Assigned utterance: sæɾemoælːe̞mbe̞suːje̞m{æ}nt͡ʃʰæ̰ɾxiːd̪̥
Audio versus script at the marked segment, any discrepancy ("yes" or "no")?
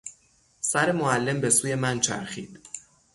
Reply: no